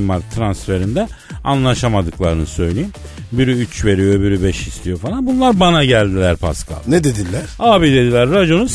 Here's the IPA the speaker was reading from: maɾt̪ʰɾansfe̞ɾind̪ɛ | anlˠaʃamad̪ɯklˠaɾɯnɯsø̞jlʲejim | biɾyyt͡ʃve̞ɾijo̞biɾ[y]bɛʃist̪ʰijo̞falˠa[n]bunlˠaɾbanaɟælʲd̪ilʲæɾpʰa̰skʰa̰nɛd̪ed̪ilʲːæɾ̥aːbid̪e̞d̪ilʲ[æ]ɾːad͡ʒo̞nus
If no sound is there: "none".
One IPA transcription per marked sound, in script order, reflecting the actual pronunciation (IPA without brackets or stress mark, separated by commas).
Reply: y, n, æ